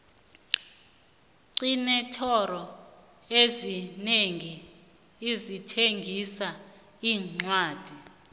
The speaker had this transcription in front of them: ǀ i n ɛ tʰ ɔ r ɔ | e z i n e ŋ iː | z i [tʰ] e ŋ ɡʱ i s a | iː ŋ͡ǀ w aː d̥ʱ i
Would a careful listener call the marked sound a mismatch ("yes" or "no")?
no